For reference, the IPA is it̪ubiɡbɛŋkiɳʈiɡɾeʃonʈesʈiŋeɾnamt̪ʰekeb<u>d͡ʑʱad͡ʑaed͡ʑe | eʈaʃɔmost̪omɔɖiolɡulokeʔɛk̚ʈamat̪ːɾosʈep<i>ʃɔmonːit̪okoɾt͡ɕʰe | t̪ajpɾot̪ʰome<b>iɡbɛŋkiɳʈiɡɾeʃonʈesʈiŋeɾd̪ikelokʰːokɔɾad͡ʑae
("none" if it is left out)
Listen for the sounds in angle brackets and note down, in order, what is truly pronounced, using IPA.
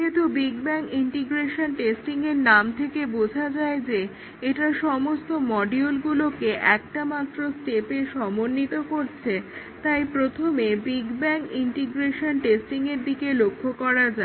o, e, b

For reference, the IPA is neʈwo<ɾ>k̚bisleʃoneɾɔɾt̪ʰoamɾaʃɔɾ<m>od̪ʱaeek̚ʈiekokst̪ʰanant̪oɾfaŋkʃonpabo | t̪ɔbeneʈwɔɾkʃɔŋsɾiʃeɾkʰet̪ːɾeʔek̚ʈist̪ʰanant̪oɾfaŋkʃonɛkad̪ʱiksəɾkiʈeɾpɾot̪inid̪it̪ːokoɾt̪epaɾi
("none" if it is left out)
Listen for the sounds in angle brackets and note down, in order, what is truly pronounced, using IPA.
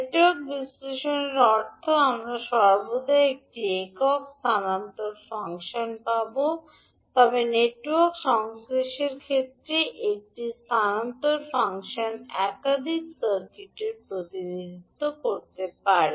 ɾ, b

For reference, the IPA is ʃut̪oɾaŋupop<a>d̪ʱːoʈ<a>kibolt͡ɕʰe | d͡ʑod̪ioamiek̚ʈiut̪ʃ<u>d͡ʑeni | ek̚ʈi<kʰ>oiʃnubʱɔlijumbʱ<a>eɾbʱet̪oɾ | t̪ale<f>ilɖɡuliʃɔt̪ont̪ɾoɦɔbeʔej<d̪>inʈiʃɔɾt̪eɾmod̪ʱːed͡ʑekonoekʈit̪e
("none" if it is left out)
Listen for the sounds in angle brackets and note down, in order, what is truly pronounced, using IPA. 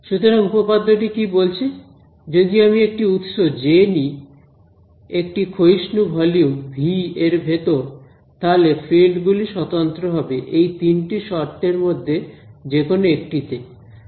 a, i, o, kʰ, i, f, t̪

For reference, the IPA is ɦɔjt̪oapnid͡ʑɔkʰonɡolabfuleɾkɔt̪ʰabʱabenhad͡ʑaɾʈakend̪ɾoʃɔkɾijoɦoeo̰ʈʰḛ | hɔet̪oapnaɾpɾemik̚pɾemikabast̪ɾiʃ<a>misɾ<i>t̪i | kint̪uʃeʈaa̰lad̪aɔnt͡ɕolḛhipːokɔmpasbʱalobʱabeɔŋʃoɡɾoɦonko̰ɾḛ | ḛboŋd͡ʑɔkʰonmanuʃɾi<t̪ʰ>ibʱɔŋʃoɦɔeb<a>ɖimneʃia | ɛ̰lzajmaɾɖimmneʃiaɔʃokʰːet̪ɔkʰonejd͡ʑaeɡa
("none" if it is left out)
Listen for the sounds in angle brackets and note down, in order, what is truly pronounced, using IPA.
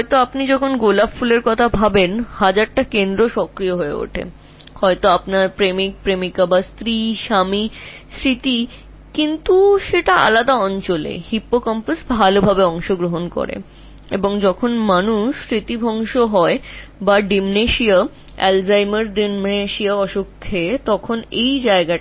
a, i, t̪, a

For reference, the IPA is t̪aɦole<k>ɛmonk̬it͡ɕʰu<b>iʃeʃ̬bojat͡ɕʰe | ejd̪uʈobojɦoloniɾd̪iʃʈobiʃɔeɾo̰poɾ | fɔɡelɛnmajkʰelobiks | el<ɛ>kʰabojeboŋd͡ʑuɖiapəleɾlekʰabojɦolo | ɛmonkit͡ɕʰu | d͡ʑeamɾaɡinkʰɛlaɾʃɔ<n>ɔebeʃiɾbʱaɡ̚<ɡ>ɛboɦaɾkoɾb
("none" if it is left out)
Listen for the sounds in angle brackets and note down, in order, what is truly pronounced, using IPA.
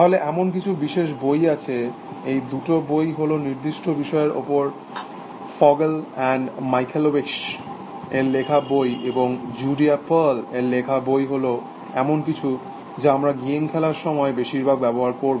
ʔ, b, e, m, b

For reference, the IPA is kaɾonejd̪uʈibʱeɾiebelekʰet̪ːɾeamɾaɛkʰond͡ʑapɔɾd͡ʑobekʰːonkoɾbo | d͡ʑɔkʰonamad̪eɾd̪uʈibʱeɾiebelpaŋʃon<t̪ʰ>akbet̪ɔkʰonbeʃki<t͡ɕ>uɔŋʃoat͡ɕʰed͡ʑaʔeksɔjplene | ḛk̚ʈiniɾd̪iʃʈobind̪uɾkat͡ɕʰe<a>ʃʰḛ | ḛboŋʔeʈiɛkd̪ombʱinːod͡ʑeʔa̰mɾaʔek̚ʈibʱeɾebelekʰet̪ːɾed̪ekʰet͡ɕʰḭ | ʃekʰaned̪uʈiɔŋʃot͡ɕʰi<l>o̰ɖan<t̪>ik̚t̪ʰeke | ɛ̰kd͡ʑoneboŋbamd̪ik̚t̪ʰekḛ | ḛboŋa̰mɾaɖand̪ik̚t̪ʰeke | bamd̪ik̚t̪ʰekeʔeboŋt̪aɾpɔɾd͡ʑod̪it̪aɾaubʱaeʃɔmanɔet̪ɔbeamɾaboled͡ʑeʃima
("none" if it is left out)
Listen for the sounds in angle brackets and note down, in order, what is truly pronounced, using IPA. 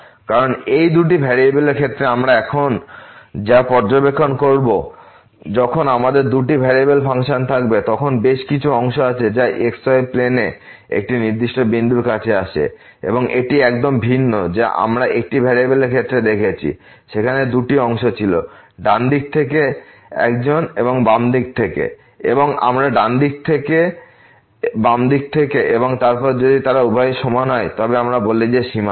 t̪ʰ, t͡ɕʰ, a, l, d̪

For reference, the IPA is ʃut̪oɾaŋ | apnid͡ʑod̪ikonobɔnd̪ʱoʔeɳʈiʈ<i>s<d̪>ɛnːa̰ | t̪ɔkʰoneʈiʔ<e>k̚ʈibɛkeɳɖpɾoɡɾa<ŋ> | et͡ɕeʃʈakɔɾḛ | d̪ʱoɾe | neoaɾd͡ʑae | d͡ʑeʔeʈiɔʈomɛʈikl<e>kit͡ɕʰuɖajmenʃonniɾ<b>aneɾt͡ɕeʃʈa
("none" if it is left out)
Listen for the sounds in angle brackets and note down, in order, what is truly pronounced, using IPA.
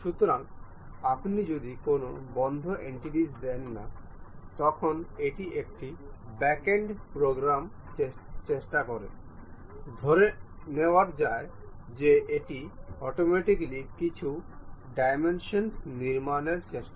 i, d̪, e, m, i, m

